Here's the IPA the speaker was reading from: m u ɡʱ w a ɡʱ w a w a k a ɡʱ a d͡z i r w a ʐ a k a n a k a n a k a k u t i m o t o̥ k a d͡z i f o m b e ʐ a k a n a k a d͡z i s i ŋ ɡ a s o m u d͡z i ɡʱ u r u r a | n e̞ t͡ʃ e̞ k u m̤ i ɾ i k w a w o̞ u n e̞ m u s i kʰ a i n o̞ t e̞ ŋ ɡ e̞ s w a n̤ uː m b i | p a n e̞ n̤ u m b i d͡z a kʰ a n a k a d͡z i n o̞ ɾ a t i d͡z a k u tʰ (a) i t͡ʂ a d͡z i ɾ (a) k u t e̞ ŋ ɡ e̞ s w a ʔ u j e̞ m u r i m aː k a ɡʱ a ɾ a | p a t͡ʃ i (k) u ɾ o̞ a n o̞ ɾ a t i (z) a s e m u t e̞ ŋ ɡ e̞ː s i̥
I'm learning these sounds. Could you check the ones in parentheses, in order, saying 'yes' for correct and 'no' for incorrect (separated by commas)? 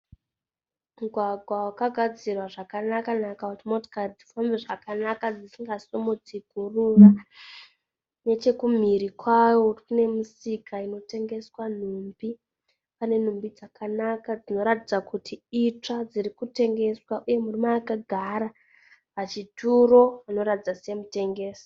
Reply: no, no, no, no